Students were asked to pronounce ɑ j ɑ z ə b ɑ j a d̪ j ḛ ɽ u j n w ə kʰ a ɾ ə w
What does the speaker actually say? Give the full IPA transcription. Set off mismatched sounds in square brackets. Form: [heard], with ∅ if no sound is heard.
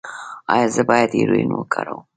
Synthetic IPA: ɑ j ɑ z ə b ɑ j a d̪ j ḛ [ɾ] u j n w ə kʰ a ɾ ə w